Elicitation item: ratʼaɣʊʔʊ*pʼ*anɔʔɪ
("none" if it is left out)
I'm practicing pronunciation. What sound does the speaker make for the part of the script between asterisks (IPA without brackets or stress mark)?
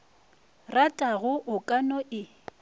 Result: kʼ